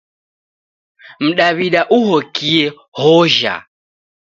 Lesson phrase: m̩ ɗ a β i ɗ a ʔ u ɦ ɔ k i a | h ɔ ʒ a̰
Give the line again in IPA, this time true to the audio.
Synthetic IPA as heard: m̩ ɗ a β i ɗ a ʔ u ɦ ɔ k i ɛ | h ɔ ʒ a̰